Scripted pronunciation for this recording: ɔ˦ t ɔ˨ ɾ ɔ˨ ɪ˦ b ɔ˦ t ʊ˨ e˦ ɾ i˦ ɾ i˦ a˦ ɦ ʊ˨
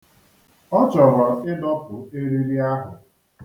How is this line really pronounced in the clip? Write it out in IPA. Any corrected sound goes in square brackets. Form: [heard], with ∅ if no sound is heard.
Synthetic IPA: ɔ˦ [t͡ʃ] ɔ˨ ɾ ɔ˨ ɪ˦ [d] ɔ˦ [p] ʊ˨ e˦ ɾ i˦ ɾ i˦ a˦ ɦ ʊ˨